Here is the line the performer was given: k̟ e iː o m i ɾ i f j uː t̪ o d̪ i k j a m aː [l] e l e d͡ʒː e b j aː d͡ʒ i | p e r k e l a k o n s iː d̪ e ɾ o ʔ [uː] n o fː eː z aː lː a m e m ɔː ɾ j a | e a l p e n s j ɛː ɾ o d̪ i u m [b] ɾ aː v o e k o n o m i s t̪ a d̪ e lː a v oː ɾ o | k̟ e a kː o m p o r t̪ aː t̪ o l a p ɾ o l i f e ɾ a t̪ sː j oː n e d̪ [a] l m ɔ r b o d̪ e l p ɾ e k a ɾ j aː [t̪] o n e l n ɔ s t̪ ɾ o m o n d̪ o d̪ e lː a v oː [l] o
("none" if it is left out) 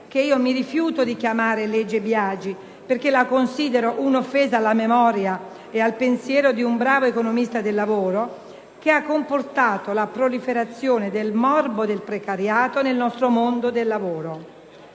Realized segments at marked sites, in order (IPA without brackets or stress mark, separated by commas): ɾ, u, b, e, t̪, ɾ